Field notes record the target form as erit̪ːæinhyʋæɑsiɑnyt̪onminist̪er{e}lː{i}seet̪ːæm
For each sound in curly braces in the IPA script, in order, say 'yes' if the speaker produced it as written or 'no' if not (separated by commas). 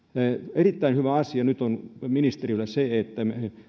no, no